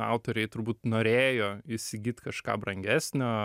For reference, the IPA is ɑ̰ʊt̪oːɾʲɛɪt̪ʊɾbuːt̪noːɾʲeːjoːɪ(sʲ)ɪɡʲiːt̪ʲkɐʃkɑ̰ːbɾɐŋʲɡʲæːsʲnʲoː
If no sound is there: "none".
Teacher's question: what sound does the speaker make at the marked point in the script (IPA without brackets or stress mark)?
sʲ